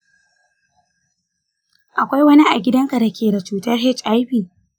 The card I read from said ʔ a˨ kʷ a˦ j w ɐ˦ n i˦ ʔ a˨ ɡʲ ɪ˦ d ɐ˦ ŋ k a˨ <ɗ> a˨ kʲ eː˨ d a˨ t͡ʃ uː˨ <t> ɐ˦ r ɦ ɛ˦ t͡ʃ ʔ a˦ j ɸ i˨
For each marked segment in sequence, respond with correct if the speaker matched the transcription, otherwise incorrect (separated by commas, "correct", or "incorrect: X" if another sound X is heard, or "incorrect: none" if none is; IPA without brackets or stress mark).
incorrect: d, correct